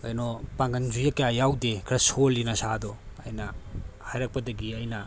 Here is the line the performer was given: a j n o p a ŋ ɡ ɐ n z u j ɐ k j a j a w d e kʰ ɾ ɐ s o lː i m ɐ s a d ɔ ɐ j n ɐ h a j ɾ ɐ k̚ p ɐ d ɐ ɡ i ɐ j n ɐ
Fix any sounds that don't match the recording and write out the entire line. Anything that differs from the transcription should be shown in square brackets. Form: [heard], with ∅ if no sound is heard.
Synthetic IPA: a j n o p a ŋ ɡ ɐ n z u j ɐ k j a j a w d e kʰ ɾ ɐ s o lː i [n] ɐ s a d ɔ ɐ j n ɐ h a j ɾ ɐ k̚ p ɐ d ɐ ɡ i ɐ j n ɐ